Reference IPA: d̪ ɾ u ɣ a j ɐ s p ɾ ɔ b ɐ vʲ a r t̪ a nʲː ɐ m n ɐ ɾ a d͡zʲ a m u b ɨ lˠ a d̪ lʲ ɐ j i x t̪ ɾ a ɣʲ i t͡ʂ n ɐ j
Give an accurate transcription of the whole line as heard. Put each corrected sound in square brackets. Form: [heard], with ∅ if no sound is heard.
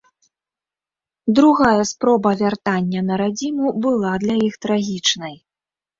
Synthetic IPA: d̪ ɾ u ɣ a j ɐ s p ɾ ɔ b ɐ vʲ a r t̪ a nʲː ɐ [∅] n ɐ ɾ a d͡zʲ [i] m u b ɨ lˠ a d̪ lʲ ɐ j i x t̪ ɾ a ɣʲ i t͡ʂ n ɐ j